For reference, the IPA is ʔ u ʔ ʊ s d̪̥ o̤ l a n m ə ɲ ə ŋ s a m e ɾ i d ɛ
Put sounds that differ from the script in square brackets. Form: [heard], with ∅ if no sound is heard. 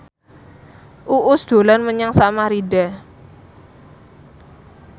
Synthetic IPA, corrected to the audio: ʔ u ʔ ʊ s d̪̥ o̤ l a n m ə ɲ [a] ŋ s a m [a] ɾ i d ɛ